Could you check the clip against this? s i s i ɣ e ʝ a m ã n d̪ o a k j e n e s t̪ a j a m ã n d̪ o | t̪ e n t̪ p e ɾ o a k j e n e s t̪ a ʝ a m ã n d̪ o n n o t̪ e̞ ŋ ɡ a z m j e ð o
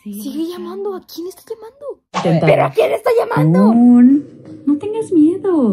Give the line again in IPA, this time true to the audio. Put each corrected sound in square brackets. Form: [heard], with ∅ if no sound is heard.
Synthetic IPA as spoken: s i s i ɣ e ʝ a m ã n d̪ o a k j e n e s t̪ a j a m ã n d̪ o | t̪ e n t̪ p e ɾ o a k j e n e s t̪ a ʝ a m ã n d̪ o n n o t̪ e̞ ŋ ɡ a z m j e ð o

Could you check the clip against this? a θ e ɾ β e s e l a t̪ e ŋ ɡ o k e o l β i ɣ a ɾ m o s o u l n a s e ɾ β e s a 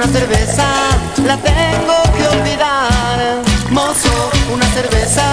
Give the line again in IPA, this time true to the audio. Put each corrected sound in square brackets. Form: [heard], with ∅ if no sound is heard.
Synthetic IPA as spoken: a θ e ɾ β e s [a] l a t̪ e ŋ ɡ o k e o l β i [ð] a ɾ m o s o u [∅] n a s e ɾ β e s a

